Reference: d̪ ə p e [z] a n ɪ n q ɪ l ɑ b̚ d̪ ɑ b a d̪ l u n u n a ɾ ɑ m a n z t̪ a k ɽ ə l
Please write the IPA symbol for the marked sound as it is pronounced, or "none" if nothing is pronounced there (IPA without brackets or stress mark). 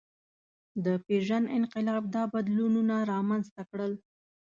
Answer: ʒ